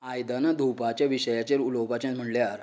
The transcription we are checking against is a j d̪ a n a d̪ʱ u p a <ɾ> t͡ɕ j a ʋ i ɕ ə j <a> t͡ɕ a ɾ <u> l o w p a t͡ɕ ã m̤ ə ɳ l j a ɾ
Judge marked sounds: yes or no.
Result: no, yes, yes

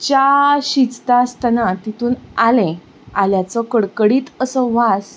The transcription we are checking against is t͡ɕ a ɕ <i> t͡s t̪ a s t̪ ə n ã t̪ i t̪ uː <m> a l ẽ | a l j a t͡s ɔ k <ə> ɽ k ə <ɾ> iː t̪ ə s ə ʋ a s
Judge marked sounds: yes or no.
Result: yes, no, yes, no

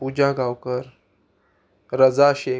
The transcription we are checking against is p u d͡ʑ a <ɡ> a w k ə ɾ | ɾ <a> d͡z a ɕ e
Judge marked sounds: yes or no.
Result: yes, no

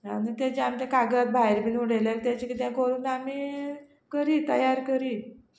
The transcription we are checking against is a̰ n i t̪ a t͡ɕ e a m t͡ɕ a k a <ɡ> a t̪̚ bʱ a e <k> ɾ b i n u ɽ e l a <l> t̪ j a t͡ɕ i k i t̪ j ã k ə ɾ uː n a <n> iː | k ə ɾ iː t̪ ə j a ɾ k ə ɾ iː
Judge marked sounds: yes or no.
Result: yes, no, yes, no

